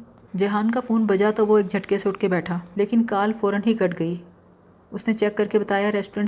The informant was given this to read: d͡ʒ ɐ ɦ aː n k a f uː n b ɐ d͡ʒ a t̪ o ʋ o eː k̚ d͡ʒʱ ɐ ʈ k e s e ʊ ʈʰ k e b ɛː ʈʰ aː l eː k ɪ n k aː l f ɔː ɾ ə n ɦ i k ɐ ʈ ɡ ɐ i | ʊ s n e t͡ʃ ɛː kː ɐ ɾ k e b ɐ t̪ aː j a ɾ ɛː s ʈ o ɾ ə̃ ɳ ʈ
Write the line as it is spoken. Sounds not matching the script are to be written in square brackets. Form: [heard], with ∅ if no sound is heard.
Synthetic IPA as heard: d͡ʒ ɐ ɦ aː n k a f uː n b ɐ d͡ʒ a t̪ o ʋ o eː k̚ d͡ʒʱ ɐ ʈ k e s e ʊ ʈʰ k e b ɛː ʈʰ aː l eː k ɪ n k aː l f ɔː ɾ ə n ɦ i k ɐ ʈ ɡ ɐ i | ʊ s n e t͡ʃ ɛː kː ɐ ɾ k e b ɐ t̪ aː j a ɾ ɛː s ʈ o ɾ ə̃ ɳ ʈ